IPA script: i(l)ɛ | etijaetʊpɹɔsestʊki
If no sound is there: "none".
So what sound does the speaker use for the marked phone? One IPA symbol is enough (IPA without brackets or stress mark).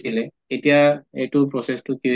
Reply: l